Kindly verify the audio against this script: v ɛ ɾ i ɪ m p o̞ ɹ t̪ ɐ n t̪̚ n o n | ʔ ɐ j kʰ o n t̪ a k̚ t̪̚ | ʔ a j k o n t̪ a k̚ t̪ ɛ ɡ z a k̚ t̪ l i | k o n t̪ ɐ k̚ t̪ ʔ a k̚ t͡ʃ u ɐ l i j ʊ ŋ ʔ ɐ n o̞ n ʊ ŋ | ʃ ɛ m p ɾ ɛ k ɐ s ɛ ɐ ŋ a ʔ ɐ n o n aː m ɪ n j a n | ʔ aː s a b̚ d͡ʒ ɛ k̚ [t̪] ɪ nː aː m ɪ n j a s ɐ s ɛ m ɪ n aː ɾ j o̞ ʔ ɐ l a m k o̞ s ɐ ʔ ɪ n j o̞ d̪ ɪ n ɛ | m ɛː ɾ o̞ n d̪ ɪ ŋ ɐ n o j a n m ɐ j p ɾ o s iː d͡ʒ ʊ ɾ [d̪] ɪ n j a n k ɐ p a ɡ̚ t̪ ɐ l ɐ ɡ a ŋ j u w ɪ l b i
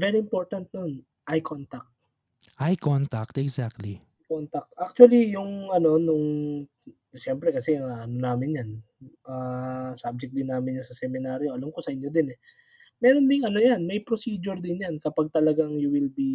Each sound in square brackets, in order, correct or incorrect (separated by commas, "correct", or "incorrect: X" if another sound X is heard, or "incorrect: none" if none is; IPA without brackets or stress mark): incorrect: d̪, correct